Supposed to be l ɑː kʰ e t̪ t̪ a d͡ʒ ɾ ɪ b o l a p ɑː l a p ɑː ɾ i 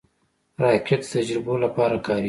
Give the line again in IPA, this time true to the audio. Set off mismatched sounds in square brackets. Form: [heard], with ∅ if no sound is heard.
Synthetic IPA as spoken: [ɾ] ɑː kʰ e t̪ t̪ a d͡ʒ ɾ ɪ b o l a p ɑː [ɾ] a [k] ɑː ɾ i